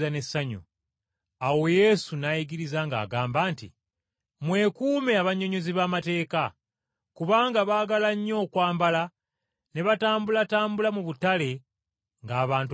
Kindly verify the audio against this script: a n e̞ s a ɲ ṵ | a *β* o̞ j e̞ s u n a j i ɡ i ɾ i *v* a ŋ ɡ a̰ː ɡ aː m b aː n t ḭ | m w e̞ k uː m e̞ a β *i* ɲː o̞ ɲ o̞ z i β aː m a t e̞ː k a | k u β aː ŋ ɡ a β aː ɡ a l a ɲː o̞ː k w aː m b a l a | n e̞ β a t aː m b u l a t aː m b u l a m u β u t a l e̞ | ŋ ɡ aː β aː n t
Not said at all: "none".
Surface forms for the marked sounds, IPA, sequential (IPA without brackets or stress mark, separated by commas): w, z, a